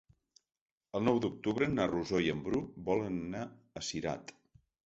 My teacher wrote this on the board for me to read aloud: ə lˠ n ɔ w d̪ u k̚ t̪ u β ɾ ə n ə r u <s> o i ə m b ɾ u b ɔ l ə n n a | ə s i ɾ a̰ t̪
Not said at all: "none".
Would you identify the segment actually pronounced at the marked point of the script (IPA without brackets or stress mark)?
z